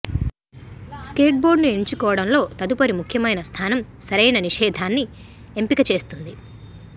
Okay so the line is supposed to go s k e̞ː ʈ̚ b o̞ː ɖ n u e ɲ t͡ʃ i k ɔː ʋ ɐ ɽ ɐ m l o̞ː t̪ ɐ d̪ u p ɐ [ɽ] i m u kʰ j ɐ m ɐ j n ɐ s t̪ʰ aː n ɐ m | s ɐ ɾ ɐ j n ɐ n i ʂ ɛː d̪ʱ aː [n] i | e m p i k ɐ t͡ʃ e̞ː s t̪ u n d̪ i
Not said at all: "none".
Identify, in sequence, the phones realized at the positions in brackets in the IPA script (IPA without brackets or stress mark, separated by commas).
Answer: ɾ, nː